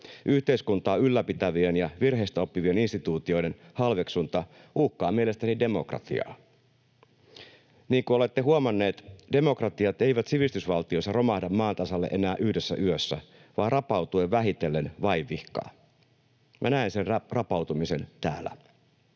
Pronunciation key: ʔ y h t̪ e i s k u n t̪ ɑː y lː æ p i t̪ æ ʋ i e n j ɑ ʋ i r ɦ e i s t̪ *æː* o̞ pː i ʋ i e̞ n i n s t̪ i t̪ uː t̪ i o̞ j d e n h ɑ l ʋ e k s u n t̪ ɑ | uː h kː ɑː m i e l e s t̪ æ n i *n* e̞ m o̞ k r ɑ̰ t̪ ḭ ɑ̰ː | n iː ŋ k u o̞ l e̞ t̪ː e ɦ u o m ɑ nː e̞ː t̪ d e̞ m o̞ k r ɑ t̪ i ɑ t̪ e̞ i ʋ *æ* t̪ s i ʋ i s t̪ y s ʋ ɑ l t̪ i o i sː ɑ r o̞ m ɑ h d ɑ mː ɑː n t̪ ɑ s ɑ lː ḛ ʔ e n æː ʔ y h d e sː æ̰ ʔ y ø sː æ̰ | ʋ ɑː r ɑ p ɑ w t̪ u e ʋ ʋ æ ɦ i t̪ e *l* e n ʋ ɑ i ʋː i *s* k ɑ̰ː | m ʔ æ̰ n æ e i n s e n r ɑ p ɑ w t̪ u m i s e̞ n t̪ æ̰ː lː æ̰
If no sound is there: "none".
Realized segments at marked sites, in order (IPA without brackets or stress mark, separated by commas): æ, d, æ, lː, h